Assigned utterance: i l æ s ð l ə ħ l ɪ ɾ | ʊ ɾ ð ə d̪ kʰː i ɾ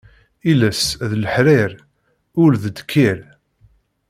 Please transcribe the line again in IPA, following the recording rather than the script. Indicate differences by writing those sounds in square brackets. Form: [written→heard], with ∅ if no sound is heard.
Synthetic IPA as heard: i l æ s ð l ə ħ [l→ɾ] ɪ ɾ | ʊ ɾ ð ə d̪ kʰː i ɾ